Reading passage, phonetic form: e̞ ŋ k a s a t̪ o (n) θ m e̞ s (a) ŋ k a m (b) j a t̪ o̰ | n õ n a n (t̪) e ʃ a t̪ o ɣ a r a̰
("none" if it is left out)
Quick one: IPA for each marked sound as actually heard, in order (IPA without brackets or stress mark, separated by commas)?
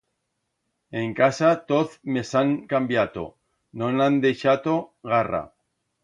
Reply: none, a, b, d̪